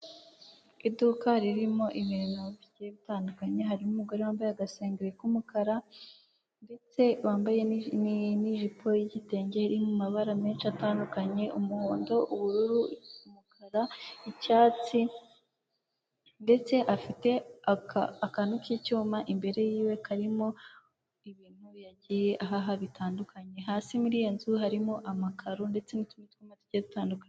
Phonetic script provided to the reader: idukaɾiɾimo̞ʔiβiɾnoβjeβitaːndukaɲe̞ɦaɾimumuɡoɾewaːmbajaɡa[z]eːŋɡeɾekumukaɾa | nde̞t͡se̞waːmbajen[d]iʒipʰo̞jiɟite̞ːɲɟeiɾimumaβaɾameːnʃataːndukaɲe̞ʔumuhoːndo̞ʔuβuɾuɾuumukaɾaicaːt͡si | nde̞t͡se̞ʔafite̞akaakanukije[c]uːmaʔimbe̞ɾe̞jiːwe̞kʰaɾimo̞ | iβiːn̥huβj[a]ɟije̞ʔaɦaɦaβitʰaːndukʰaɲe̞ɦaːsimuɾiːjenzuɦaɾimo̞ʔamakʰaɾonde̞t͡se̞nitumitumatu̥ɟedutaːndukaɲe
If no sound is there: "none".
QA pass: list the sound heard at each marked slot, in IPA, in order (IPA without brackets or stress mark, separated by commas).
s, n, c, a